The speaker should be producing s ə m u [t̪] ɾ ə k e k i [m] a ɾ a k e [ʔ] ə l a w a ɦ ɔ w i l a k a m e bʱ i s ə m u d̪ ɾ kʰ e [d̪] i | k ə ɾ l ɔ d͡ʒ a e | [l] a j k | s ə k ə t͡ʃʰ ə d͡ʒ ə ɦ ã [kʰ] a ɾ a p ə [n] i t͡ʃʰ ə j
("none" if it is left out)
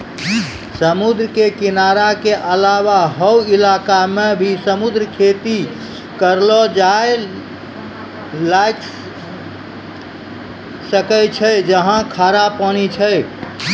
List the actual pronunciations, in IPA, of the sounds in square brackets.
d̪, n, ʔ, t̪, l, kʰ, n

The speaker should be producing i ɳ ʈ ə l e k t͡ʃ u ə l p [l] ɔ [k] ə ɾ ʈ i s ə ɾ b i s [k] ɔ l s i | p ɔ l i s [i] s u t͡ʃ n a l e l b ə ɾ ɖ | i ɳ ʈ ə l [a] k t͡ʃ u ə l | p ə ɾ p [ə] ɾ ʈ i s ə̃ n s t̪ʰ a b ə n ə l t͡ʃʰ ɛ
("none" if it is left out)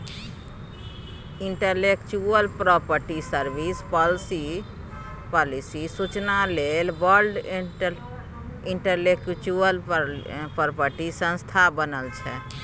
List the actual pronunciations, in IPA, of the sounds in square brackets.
ɾ, p, p, i, e, ə

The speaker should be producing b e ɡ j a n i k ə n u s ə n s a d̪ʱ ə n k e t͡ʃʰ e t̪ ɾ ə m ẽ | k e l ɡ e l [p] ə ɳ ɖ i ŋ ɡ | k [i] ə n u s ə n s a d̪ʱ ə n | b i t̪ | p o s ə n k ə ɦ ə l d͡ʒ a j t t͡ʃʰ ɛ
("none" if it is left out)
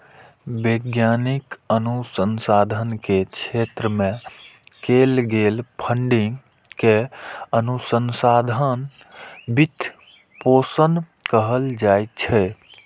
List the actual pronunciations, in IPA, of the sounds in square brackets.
pʰ, e

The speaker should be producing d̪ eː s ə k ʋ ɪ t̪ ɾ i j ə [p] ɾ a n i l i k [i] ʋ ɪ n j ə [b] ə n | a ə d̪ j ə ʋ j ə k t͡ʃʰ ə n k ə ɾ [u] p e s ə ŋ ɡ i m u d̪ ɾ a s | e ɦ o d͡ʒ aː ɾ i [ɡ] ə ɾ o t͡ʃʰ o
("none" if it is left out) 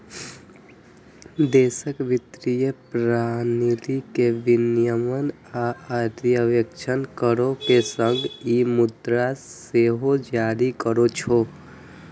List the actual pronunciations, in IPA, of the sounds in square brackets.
p, e, m, o, k

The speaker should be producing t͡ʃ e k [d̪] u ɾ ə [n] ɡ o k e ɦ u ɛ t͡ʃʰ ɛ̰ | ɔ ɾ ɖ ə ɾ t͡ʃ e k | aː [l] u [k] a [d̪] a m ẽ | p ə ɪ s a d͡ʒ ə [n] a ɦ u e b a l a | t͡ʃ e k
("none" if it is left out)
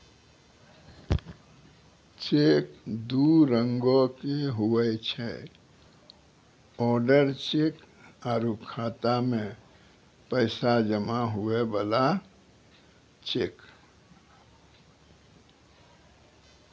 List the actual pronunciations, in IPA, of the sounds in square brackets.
d̪, ŋ, ɾ, kʰ, t̪, m

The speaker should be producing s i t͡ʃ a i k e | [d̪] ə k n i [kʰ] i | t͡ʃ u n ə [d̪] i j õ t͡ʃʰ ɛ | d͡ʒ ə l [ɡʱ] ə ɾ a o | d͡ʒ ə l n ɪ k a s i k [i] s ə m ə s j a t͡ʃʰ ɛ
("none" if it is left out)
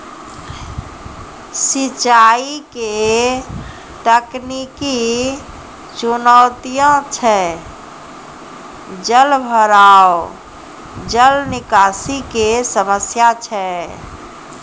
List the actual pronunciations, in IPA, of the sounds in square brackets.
t̪, k, t̪, bʱ, e

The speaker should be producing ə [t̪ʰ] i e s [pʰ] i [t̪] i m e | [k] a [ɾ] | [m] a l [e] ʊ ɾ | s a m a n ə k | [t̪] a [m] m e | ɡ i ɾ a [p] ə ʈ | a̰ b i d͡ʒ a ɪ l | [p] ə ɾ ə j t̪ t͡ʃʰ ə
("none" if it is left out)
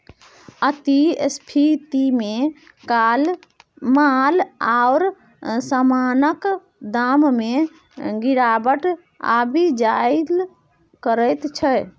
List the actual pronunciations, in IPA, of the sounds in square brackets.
t̪, pʰ, t̪, k, l, m, a, d̪, m, b, k

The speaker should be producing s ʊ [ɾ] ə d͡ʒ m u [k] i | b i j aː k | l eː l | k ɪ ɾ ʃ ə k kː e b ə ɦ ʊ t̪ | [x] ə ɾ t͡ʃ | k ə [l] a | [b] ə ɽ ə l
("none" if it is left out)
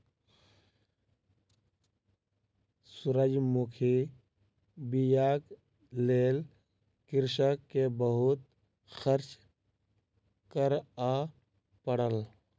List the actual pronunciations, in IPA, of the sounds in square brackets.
ɾ, kʰ, x, ɾ, p

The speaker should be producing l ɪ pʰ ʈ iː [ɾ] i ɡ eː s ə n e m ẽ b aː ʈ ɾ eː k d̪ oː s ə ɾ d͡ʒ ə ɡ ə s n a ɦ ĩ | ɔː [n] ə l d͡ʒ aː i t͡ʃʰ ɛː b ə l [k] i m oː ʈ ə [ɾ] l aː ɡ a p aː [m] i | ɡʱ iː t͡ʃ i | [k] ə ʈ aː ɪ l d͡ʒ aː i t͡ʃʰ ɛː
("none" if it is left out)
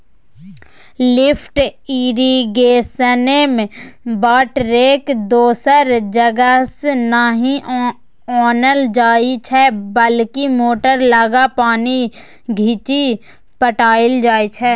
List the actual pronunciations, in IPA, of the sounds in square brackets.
ɾ, n, k, ɾ, n, p

